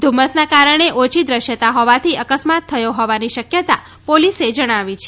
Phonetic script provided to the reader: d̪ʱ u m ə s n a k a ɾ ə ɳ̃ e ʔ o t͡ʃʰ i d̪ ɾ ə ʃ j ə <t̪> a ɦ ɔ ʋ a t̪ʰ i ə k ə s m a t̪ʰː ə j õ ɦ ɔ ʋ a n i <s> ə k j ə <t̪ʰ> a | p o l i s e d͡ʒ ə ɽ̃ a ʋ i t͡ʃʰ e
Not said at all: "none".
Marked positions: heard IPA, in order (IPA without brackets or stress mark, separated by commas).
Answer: t̪, ʃ, t̪